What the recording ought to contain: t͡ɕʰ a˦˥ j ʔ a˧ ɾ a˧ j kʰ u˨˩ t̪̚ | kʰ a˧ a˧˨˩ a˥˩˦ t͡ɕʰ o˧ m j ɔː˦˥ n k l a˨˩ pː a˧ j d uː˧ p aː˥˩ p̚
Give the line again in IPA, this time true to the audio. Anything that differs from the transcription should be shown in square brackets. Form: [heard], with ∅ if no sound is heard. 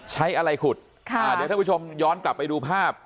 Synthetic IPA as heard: t͡ɕʰ a˦˥ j ʔ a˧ ɾ a˧ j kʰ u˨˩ t̪̚ | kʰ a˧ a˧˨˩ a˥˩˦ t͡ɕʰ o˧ m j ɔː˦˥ n k l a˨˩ pː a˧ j d uː˧ [pʰ] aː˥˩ p̚